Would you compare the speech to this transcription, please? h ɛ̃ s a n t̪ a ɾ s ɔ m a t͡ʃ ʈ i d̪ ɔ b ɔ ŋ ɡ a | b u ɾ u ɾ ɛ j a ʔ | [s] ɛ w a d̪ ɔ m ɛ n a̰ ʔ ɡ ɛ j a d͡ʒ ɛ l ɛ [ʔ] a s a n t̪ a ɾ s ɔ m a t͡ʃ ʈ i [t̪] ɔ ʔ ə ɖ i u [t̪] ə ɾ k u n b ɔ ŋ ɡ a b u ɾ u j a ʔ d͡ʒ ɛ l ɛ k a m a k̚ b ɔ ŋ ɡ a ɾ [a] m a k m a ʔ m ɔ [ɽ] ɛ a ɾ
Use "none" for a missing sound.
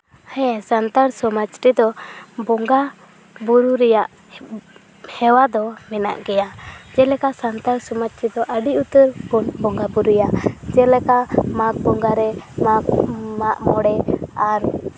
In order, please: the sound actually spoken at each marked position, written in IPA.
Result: h, k, d̪, t̪, ɛ, ɽ

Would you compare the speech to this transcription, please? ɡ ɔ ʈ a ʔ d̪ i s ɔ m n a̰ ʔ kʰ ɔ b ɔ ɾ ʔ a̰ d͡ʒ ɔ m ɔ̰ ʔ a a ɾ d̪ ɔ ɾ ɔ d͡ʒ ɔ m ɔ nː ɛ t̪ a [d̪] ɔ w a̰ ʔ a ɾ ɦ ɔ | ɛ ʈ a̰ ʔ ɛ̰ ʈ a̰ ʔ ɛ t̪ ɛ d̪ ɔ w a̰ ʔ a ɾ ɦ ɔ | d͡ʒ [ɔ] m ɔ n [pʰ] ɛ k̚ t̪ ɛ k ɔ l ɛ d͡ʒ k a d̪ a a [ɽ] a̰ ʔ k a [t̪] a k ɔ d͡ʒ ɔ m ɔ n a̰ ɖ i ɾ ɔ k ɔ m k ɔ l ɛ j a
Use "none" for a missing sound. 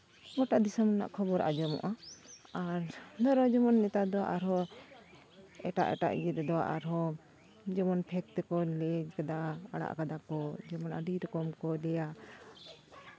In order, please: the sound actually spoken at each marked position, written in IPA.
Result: d̪, ɔ, pʰ, ɽ, d̪

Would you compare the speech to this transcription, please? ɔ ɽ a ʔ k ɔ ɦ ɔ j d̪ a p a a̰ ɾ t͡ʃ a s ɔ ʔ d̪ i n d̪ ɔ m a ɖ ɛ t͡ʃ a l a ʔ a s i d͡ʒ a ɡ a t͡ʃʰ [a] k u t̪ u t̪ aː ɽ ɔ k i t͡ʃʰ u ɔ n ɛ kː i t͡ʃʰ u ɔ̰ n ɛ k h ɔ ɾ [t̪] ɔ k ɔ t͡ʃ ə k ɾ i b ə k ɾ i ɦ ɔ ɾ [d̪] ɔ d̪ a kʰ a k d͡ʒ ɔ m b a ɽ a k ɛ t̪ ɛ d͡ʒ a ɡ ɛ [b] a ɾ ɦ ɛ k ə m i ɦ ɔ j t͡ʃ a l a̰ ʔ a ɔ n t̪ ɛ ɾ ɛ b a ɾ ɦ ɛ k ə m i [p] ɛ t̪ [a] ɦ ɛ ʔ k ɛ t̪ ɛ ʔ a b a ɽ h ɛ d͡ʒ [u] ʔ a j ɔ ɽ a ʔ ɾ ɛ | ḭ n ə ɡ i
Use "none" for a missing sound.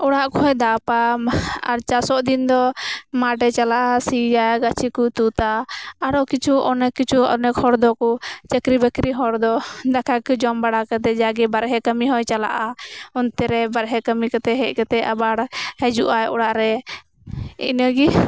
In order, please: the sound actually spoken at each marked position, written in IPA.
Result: i, d̪, d̪, b, k, ɛ, u

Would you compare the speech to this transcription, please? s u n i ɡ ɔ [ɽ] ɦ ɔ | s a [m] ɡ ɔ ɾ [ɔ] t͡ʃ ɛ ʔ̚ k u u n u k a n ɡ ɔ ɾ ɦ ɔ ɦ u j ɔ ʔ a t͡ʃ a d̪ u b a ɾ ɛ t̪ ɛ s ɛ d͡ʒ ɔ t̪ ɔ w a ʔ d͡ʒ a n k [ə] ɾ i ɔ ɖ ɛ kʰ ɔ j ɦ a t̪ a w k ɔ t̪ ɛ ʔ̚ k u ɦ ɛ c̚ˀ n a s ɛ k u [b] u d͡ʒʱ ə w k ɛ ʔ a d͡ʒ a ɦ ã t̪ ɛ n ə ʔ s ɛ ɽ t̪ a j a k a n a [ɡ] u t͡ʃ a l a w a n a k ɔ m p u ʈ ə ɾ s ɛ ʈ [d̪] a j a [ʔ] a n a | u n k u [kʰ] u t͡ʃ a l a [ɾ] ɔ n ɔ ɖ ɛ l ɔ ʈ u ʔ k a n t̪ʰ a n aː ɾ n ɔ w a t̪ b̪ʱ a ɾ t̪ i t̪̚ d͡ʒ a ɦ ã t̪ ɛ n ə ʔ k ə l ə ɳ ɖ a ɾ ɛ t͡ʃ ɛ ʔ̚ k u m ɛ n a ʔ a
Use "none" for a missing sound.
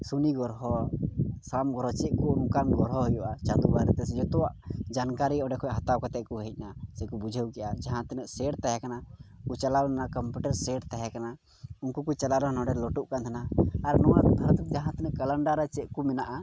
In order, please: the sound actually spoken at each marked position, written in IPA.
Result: ɾ, m, ɔ, a, b, k, t̪, k, k, ɾ

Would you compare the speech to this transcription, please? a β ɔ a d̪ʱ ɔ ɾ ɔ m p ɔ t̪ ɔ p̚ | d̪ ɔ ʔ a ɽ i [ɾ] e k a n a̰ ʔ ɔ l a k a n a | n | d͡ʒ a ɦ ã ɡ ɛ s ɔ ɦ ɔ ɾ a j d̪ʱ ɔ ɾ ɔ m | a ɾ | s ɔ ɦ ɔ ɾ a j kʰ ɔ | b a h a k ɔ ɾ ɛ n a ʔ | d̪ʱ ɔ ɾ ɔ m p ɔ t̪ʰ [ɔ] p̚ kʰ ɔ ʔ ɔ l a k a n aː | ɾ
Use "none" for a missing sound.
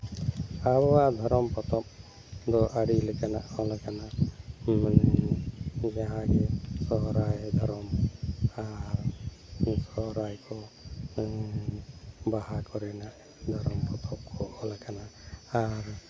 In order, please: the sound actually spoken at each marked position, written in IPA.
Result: l, ɔ

